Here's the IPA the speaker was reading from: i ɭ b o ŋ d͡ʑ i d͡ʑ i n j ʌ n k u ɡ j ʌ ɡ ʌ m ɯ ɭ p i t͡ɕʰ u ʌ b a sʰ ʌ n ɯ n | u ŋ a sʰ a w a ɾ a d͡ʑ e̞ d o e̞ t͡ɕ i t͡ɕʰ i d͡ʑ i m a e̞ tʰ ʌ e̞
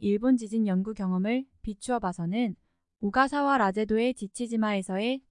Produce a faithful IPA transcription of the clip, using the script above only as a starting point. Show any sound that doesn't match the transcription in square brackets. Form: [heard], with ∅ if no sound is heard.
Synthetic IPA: i ɭ b o [n] d͡ʑ i d͡ʑ i n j ʌ n [ɡ] u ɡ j ʌ [ŋ] ʌ m ɯ ɭ p i t͡ɕʰ u ʌ b a sʰ ʌ n ɯ n | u [ɡ] a sʰ a w a ɾ a d͡ʑ e̞ d o e̞ t͡ɕ i t͡ɕʰ i d͡ʑ i m a e̞ [sʰ] ʌ e̞